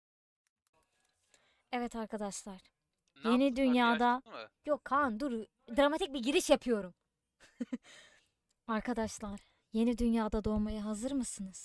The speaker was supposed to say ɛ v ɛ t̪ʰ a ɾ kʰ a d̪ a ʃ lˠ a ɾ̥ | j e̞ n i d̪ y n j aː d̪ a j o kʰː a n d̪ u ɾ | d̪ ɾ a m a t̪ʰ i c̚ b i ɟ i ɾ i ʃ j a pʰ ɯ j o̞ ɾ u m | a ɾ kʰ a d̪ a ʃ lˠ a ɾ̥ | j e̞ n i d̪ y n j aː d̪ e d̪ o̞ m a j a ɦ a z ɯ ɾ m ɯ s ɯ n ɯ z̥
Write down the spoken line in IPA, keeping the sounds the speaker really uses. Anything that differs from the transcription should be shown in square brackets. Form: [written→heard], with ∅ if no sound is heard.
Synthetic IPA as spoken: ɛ v ɛ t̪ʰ a ɾ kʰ a d̪ a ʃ lˠ a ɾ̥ | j e̞ n i d̪ y n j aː d̪ a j o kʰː a n d̪ u ɾ | d̪ ɾ a m a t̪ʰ i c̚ b i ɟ i ɾ i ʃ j a pʰ ɯ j o̞ ɾ u m | a ɾ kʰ a d̪ a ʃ lˠ a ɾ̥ | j e̞ n i d̪ y n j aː d̪ [e→a] d̪ o̞ m a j a ɦ a z ɯ ɾ m ɯ s ɯ n ɯ z̥